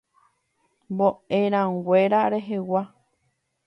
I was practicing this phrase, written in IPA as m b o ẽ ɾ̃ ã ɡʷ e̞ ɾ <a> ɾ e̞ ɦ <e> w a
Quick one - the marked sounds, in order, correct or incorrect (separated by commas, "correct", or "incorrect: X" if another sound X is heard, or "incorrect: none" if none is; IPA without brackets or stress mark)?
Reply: correct, correct